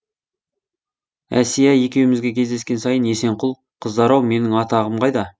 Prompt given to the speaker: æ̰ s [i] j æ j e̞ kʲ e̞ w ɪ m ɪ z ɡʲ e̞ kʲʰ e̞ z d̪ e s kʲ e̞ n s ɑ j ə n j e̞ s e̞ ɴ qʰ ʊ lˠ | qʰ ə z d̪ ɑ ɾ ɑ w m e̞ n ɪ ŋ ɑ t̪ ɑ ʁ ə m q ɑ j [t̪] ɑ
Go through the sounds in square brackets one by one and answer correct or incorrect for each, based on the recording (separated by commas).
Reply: correct, incorrect